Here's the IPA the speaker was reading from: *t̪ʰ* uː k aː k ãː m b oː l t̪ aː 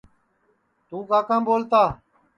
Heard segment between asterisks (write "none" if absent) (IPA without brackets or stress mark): t̪